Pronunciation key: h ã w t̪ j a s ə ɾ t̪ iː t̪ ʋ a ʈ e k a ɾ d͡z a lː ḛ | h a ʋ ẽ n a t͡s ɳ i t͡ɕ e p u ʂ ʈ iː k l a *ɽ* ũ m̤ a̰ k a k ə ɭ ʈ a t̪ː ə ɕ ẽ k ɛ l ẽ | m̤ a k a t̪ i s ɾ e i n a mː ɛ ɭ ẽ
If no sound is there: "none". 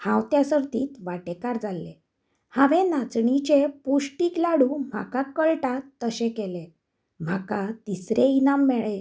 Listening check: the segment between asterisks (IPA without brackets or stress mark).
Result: ɽ